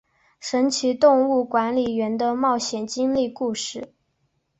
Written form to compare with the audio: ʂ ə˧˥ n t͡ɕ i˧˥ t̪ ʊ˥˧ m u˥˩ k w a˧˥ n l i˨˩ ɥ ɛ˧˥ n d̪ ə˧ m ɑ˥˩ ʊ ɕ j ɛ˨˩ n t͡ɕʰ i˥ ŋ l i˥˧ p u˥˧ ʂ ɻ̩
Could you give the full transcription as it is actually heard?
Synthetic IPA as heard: ʂ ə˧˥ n t͡ɕʰ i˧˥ t̪ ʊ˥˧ ŋ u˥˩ k w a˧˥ n l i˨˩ ɥ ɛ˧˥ n d̪ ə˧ m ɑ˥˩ ʊ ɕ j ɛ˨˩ n t͡ɕ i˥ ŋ l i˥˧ k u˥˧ ʂ ɻ̩